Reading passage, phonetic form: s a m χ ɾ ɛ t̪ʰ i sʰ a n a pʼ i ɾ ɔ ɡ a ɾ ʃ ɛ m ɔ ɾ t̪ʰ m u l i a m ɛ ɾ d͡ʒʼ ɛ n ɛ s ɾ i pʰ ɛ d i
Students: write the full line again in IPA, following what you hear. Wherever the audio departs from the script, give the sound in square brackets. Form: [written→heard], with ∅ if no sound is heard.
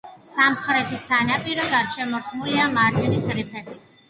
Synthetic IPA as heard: s a m χ ɾ ɛ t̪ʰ i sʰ a n a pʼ i ɾ ɔ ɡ a ɾ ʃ ɛ m ɔ ɾ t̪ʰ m u l i a m [ɛ→a] ɾ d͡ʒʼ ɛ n [ɛ→i] s ɾ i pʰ ɛ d i

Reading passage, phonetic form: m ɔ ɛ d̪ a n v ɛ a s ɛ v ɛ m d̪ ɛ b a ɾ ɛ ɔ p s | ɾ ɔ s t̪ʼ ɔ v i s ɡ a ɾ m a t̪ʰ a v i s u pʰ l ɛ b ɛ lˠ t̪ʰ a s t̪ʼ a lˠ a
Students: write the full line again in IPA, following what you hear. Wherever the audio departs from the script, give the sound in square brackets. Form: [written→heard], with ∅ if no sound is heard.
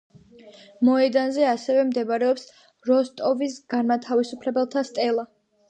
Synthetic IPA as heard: m ɔ ɛ d̪ a n [v→z] ɛ a s ɛ v ɛ m d̪ ɛ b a ɾ ɛ ɔ p s | ɾ ɔ s t̪ʼ ɔ v i s ɡ a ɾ m a t̪ʰ a v i s u pʰ l ɛ b ɛ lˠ t̪ʰ a s t̪ʼ [a→ɛ] lˠ a

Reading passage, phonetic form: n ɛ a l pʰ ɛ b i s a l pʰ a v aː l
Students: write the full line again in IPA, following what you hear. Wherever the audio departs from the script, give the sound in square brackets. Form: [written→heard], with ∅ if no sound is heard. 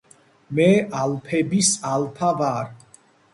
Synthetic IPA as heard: [n→m] ɛ a l pʰ ɛ b i s a l pʰ a v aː [l→ɾ]

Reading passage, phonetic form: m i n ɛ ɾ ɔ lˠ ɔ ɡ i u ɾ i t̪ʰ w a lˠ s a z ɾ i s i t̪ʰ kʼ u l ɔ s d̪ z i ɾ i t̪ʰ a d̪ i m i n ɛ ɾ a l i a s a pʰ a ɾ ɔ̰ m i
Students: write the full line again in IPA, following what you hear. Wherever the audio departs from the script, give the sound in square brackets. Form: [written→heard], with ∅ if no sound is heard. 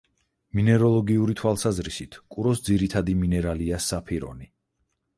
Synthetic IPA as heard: m i n ɛ ɾ ɔ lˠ ɔ ɡ i u ɾ i t̪ʰ w a lˠ s a z ɾ i s i t̪ʰ kʼ u [l→ɾ] ɔ s d̪ z i ɾ i t̪ʰ a d̪ i m i n ɛ ɾ a l i a s a pʰ [a→i] ɾ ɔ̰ [m→n] i

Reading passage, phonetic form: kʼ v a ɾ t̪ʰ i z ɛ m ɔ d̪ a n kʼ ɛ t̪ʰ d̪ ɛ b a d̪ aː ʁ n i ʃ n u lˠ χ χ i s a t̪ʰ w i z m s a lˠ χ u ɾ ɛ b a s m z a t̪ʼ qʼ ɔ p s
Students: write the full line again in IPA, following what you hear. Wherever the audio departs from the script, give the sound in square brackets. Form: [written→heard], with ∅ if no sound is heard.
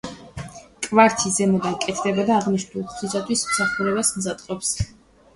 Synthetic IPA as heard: kʼ v a ɾ t̪ʰ i z ɛ m ɔ d̪ a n kʼ ɛ t̪ʰ d̪ ɛ b a d̪ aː ʁ n i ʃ n u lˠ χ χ i s a t̪ʰ w i [z→s] m s a [lˠ→∅] χ u ɾ ɛ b a s m z a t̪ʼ qʼ ɔ p s

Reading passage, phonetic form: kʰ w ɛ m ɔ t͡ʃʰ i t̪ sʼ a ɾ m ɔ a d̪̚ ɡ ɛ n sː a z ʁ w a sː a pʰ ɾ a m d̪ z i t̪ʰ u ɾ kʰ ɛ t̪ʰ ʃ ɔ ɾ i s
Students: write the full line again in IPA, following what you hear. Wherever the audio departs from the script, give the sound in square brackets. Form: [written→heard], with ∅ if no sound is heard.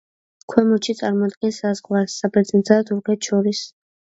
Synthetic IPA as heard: kʰ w ɛ m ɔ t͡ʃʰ i t̪ sʼ a ɾ m ɔ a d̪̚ ɡ ɛ n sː a z ʁ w a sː a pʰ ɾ [a→ɛ] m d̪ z [i→a] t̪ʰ u ɾ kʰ ɛ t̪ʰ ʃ ɔ ɾ i s

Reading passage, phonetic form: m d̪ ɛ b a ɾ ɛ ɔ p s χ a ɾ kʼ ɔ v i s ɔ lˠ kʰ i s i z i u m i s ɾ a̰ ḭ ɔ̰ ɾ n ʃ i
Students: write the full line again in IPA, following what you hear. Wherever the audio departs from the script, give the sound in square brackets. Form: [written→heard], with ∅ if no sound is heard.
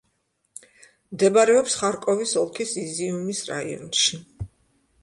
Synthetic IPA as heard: m d̪ ɛ b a ɾ ɛ ɔ p s χ a ɾ kʼ ɔ v i s ɔ lˠ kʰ i s i z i u m i s ɾ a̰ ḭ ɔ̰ [ɾ→∅] n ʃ i

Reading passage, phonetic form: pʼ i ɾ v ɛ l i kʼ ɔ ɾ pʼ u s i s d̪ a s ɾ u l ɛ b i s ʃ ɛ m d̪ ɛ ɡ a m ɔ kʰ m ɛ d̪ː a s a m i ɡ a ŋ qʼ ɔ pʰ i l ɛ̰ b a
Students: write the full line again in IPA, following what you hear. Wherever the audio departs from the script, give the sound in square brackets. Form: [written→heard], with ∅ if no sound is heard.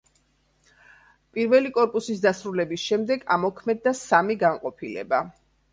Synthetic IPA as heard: pʼ i ɾ v ɛ l i kʼ ɔ ɾ pʼ u s i s d̪ a s ɾ u l ɛ b i s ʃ ɛ m d̪ ɛ ɡ a m ɔ kʰ m ɛ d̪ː a s a m i ɡ a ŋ qʼ ɔ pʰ i l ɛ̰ b a

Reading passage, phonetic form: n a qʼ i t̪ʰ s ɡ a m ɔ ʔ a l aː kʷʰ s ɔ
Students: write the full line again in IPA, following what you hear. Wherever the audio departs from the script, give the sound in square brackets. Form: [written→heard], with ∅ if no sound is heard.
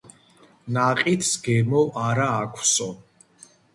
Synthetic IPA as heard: n a qʼ i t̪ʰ s ɡ [a→ɛ] m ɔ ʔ a [l→ɾ] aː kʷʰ s ɔ

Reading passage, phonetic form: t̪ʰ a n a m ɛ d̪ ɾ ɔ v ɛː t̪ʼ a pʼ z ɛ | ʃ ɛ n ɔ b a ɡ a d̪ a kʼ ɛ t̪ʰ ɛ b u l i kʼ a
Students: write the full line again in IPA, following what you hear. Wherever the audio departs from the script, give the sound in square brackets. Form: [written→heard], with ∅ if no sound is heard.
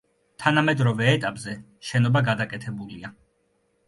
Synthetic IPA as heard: t̪ʰ a n a m ɛ d̪ ɾ ɔ v ɛː t̪ʼ a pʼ z ɛ | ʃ ɛ n ɔ b a ɡ a d̪ a kʼ ɛ t̪ʰ ɛ b u l i [kʼ→∅] a

